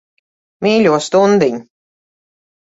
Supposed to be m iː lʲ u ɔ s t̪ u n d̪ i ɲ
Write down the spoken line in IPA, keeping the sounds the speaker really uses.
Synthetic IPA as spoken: m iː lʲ u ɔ s t̪ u n d̪ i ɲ